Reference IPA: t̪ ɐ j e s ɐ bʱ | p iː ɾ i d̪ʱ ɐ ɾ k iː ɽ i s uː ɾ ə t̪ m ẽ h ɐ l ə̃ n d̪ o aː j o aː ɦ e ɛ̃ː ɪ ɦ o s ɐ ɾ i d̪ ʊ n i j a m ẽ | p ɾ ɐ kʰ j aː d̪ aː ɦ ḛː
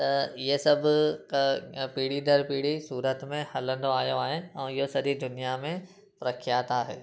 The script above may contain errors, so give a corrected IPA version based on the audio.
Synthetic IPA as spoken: t̪ ɐ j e s ɐ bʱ | p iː ɽ i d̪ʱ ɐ ɾ p iː ɽ i s uː ɾ ə t̪ m ẽ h ɐ l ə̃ n d̪ o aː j o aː ɦ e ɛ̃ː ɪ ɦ o s ɐ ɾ i d̪ ʊ n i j a m ẽ | p ɾ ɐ kʰ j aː t̪ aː ɦ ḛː